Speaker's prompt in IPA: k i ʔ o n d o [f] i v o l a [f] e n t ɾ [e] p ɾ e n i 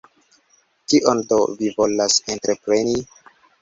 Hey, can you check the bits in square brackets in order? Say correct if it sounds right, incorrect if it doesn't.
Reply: incorrect: v, incorrect: s, correct

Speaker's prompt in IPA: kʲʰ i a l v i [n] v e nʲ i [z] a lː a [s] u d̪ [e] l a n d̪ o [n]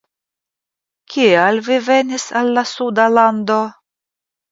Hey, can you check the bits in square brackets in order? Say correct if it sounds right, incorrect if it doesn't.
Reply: incorrect: none, incorrect: s, correct, incorrect: a, incorrect: none

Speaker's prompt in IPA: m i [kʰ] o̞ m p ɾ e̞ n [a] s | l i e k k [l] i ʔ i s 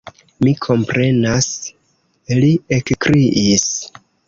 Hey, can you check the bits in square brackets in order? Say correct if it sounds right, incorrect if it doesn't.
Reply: correct, correct, incorrect: ɾ

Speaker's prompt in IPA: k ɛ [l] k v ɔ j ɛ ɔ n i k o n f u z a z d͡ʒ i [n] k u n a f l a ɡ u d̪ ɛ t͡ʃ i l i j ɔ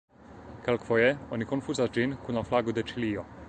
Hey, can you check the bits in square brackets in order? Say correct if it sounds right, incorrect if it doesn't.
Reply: correct, correct

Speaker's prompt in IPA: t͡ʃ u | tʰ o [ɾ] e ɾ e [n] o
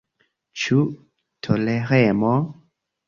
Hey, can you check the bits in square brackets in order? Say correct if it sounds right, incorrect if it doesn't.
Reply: incorrect: l, incorrect: m

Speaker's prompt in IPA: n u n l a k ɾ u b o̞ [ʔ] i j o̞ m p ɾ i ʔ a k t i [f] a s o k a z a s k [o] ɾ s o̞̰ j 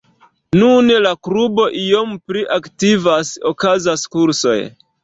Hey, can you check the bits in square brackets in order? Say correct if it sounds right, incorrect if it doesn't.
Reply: correct, incorrect: v, incorrect: u

